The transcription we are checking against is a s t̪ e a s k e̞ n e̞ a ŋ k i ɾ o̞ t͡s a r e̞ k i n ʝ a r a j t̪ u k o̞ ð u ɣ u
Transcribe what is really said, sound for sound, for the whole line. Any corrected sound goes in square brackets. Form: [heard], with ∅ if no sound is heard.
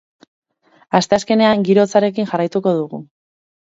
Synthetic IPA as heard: a s t̪ e a s k e̞ n e̞ a ŋ [ɡ] i ɾ o̞ t͡s a [ɾ] e̞ k i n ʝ a r a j t̪ u k o̞ ð u ɣ u

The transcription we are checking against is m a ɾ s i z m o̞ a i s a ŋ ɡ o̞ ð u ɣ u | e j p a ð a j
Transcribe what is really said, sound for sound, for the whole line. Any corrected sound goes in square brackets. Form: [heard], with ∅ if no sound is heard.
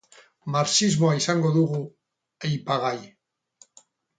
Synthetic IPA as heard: m a ɾ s i z m o̞ a i s a ŋ ɡ o̞ ð u ɣ u | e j p a [ɣ] a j

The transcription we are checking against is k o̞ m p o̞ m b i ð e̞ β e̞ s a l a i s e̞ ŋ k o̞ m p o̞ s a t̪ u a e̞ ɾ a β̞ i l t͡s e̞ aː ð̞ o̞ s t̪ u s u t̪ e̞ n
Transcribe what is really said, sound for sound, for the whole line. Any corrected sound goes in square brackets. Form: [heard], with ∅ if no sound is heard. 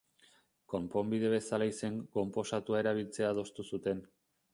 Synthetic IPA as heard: k o̞ m p o̞ m b i ð e̞ β e̞ s a l a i s e̞ ŋ k o̞ m p o̞ s a t̪ u a e̞ ɾ a β̞ i l t͡s e̞ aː ð̞ o̞ s t̪ u s u t̪ e̞ n

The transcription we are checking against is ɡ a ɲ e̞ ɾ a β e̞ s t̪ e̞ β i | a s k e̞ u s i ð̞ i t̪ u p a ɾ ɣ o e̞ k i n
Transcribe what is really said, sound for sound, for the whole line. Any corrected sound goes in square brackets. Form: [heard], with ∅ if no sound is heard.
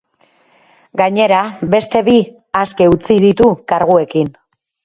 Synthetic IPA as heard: ɡ a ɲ e̞ ɾ a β e̞ s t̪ e̞ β i | a s k e̞ u [t͡s] i ð̞ i t̪ u [k] a ɾ ɣ [u] e̞ k i n

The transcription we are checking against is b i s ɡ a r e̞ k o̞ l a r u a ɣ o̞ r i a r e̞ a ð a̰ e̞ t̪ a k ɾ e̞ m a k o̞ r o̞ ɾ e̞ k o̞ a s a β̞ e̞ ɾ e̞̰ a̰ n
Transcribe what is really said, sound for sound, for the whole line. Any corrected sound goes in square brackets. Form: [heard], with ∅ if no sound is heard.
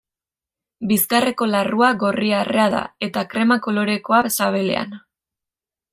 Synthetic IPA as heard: b i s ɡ a r e̞ k o̞ l a r u a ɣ o̞ r i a r e̞ a ð a̰ e̞ t̪ a k ɾ e̞ m a k o̞ [l] o̞ ɾ e̞ k o̞ a s a β̞ e̞ [l] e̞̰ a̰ n

